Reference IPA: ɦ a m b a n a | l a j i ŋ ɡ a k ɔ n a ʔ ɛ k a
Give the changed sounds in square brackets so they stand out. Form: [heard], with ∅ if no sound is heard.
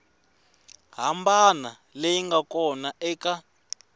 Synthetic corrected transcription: ɦ a m b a n a | l [e] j i ŋ ɡ a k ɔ n a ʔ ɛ k a